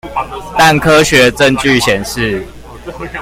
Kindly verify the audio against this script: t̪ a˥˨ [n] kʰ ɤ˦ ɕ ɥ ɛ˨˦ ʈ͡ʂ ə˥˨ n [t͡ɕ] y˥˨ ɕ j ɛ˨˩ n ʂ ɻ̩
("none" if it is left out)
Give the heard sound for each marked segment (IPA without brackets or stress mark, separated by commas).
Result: n, t͡ɕ